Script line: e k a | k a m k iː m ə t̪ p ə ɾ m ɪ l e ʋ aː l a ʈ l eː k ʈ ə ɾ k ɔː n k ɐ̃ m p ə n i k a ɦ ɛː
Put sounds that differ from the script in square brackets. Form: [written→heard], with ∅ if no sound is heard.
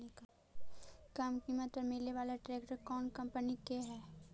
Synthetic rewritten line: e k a | k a m k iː m ə t̪ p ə ɾ m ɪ l e ʋ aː l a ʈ [l→ɾ] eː k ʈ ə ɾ k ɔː n k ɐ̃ m p ə n i k [a→e] ɦ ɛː